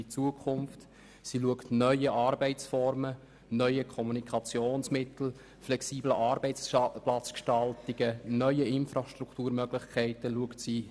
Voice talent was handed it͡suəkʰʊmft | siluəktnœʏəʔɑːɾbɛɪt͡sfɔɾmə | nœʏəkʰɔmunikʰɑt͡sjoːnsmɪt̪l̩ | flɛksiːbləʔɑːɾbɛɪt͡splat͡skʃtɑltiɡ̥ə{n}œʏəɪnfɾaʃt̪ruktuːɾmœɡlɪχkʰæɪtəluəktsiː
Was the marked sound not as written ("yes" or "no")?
no